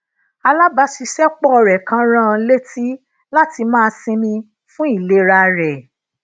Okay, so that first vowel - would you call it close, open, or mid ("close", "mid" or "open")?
open